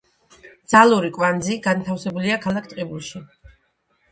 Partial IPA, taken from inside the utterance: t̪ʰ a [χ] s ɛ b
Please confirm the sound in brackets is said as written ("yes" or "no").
no